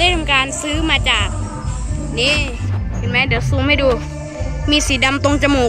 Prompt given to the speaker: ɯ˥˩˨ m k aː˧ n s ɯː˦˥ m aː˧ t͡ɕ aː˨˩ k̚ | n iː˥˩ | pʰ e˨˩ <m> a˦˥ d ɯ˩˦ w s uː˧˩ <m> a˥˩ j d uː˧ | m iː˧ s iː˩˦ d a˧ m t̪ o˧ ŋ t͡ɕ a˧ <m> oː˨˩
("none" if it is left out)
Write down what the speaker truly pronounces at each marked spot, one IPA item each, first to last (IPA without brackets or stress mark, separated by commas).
m, m, m